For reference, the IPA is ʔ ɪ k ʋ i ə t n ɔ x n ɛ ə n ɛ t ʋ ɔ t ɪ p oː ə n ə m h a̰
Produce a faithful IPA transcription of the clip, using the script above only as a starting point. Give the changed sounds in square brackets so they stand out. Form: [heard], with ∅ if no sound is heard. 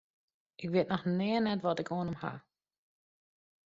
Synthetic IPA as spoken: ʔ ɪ k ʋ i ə t n ɔ x n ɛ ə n ɛ t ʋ ɔ t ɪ [k] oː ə n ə m h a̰